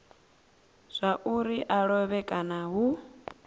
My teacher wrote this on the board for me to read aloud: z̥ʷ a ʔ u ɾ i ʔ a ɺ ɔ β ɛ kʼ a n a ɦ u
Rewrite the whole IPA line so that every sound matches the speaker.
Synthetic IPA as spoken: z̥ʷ a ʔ u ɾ i ʔ a ɺ ɔ β ɛ kʼ a n a ɦ u